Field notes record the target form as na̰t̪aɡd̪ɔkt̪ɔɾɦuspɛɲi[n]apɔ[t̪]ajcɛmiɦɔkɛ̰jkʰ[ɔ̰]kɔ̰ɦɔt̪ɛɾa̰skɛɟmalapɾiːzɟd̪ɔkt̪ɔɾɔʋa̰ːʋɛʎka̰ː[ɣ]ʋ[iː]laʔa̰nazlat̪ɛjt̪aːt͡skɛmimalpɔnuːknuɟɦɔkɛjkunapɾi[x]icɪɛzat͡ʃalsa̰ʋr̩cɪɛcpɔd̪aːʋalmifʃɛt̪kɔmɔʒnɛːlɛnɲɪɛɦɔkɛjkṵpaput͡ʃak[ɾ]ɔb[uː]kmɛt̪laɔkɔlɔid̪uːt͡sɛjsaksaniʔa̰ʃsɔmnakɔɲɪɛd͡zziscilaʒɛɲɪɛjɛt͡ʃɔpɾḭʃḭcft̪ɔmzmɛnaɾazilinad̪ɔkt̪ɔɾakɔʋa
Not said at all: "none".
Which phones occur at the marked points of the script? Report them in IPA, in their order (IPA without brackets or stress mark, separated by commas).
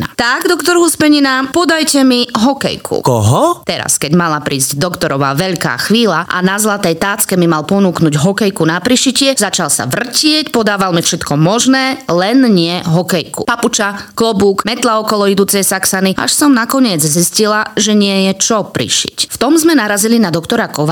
n, d̪, ṵ, x, iː, ʃ, l, uː